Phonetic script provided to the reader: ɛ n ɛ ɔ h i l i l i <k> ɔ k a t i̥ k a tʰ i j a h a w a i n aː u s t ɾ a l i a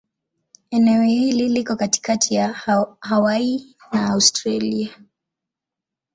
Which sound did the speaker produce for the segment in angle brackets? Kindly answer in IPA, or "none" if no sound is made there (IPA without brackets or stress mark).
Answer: k